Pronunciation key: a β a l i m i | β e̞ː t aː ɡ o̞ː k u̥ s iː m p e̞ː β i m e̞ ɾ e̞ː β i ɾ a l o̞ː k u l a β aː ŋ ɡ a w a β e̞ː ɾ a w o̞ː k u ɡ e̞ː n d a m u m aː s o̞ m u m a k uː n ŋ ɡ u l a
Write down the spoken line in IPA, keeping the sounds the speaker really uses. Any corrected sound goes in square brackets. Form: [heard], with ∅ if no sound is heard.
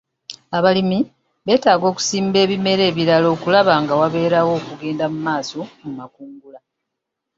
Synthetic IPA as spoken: a β a l i m i | β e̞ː t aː ɡ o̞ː k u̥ s iː m [b] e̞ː β i m e̞ ɾ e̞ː β i ɾ a l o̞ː k u l a β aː ŋ ɡ a w a β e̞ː ɾ a w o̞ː k u ɡ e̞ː n d a m u m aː s o̞ m u m a k uː [∅] ŋ ɡ u l a